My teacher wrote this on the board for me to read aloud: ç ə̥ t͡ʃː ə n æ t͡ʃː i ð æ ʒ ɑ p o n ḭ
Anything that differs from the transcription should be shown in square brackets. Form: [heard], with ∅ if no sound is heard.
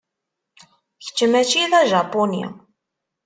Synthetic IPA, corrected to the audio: ç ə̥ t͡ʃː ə [m] æ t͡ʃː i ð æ ʒ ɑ p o n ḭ